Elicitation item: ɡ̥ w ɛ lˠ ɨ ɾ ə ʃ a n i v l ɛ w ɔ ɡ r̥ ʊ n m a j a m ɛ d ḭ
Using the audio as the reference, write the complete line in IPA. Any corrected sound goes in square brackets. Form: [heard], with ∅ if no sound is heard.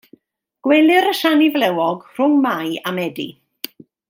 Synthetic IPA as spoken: ɡ̥ w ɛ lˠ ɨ ɾ ə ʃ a n i v l ɛ w ɔ ɡ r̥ ʊ [ŋ] m a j a m ɛ d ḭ